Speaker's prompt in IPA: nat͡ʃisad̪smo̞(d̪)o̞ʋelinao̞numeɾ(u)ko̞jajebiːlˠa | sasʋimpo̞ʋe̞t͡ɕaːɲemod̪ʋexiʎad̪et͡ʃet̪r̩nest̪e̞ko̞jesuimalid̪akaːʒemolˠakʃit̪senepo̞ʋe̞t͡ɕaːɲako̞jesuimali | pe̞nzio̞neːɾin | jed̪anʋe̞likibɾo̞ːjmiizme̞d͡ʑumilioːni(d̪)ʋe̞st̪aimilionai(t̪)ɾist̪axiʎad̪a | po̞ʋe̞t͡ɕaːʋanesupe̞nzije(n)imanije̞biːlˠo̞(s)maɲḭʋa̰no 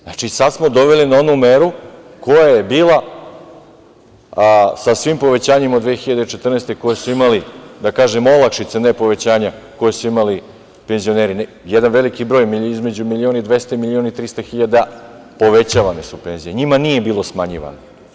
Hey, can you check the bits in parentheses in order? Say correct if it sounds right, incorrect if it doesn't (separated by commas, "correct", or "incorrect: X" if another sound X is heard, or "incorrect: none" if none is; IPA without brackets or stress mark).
correct, correct, correct, correct, incorrect: ɲ, correct